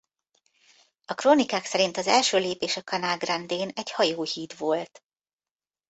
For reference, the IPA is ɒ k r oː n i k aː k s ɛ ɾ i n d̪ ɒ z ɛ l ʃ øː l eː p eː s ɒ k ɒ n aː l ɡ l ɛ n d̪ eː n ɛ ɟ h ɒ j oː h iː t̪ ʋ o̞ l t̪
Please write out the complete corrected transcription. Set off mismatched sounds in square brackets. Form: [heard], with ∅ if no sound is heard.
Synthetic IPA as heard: ɒ k r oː n i k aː k s ɛ ɾ i n [t̪] ɒ z ɛ l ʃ øː l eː p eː [ʃ] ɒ k ɒ n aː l ɡ [r] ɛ n d̪ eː n ɛ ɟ h ɒ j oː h iː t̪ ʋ o̞ l t̪